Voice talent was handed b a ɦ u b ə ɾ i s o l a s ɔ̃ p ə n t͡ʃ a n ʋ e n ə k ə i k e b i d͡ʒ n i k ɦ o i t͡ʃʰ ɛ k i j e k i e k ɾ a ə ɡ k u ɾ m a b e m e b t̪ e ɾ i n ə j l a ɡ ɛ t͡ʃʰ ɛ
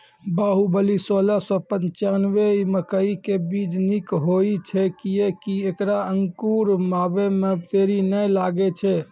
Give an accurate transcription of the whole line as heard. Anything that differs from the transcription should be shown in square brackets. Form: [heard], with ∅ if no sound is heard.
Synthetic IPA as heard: b a ɦ u b ə [l] i s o l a s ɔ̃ p ə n t͡ʃ a n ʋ e [m] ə k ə i k e b i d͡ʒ n i k ɦ o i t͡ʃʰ ɛ k i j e k i e k ɾ a ə [ŋ] k u ɾ m a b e m e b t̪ e ɾ i n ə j l a ɡ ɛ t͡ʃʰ ɛ

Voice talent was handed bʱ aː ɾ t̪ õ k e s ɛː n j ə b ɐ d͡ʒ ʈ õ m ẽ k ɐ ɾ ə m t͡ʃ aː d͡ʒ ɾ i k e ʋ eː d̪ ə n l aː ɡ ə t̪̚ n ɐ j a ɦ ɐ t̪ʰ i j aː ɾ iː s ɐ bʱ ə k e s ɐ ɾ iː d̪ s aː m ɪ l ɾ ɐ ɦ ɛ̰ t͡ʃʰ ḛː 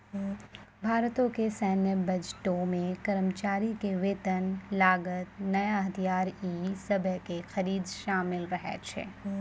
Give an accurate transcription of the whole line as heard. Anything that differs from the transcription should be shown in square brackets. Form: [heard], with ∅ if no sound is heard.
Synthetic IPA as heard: bʱ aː ɾ t̪ õ k e s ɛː n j ə b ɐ d͡ʒ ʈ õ m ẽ k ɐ ɾ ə m t͡ʃ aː [∅] ɾ i k e ʋ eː [t̪] ə n l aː ɡ ə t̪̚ n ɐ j a ɦ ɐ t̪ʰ i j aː ɾ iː s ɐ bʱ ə k e [x] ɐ ɾ iː d̪ [ʃ] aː m ɪ l ɾ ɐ ɦ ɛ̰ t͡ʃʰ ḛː

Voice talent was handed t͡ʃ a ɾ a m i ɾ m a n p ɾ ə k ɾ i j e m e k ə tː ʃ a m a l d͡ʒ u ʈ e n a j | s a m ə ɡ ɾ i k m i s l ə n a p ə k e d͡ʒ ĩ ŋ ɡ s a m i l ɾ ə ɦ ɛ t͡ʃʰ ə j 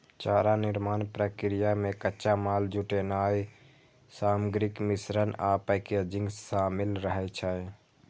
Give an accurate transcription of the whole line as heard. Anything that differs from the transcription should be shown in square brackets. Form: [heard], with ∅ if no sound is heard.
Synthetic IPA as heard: t͡ʃ a ɾ a [n] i ɾ m a n p ɾ ə k ɾ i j [a] m e k ə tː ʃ a m a l d͡ʒ u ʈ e n a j | s a m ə ɡ ɾ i k m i s [ɾ] ə n a p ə k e d͡ʒ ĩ ŋ ɡ s a m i l ɾ ə ɦ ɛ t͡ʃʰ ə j

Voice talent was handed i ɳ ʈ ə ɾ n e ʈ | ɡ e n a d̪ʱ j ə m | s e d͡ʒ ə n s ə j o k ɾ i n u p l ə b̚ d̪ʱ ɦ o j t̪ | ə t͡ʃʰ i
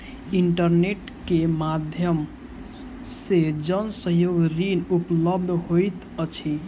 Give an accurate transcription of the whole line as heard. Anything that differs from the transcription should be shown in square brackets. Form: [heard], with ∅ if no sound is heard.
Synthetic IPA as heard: i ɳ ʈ ə ɾ n e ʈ | [k] e [m] a d̪ʱ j ə m | s e d͡ʒ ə n s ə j o [ɡ] ɾ i n u p l ə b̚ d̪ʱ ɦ o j t̪ | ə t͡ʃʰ i

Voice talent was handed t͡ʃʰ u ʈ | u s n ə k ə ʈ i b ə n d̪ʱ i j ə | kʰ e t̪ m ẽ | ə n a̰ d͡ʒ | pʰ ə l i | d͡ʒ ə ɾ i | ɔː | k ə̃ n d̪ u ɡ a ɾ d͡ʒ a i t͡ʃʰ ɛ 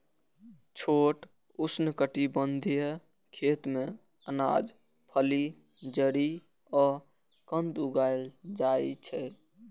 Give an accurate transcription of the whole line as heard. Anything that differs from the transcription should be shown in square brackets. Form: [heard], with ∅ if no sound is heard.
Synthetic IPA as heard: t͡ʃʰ [o] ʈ | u s n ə k ə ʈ i b ə n d̪ʱ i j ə | kʰ e t̪ m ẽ | ə n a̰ d͡ʒ | pʰ ə l i | d͡ʒ ə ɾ i | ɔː | k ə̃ n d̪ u ɡ a [l] d͡ʒ a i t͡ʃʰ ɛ

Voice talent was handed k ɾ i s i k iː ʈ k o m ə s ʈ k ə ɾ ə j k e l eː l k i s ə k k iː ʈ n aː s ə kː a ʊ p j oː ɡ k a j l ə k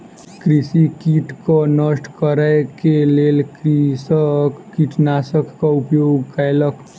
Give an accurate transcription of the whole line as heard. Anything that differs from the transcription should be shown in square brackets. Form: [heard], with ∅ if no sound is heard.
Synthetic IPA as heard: k ɾ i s i k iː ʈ k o [n] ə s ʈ k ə ɾ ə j k e l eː l k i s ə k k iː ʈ n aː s ə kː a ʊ p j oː ɡ k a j l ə k

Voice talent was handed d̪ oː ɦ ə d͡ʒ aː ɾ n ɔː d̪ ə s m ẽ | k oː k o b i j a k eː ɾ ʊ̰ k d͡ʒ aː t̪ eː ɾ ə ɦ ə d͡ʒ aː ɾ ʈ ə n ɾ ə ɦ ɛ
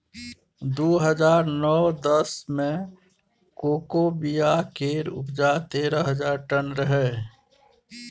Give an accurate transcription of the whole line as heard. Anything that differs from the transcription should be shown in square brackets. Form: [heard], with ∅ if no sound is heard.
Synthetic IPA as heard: d̪ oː ɦ ə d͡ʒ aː ɾ n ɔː d̪ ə s m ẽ | k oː k o b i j a k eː ɾ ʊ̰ [p] d͡ʒ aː t̪ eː ɾ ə ɦ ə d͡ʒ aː ɾ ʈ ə n ɾ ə ɦ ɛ

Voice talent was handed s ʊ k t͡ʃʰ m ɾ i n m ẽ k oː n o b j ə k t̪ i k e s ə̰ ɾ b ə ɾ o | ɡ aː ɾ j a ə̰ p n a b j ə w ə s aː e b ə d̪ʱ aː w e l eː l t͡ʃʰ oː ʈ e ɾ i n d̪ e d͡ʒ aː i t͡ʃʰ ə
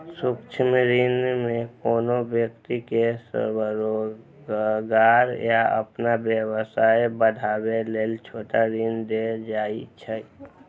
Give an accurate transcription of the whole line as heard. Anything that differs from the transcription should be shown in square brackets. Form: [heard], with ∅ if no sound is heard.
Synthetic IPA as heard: s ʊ k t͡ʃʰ m ɾ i n m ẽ k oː n o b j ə k t̪ i k e s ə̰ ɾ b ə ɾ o | ɡ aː ɾ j a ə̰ p n a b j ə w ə s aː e b ə d̪ʱ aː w e l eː l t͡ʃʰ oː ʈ [a] ɾ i n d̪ e d͡ʒ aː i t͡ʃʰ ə

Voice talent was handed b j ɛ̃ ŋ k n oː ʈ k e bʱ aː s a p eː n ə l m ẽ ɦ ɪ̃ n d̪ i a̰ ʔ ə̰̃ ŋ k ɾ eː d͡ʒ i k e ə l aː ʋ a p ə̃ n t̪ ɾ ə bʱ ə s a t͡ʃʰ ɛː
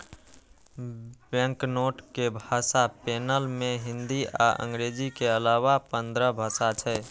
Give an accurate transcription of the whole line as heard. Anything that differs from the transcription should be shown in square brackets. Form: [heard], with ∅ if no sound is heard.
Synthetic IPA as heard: b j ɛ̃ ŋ k n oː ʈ k e bʱ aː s a p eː n ə l m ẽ ɦ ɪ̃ n d̪ i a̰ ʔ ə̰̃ ŋ [ɡ] ɾ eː d͡ʒ i k e ə l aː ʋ a p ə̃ n [d̪] ɾ ə bʱ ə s a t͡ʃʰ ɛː

